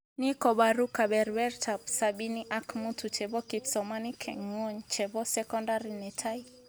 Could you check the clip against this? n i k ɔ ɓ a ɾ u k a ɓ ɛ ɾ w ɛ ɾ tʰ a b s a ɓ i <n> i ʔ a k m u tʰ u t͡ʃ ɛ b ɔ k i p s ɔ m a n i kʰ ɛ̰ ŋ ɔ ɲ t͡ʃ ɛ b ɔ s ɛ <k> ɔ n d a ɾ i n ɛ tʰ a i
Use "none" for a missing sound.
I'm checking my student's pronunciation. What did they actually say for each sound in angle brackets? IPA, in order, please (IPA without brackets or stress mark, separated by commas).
n, k